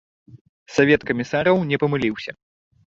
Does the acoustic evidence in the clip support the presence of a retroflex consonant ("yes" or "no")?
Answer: no